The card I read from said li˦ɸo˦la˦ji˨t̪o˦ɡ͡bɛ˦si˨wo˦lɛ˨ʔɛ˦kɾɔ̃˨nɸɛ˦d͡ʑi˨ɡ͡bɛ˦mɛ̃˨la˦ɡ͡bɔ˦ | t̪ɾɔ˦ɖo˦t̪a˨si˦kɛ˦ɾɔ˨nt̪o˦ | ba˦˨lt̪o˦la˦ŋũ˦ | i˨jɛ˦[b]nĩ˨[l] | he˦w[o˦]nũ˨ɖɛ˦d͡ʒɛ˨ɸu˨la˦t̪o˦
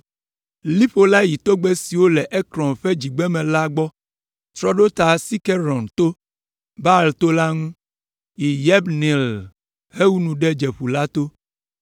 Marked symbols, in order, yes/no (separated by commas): yes, yes, no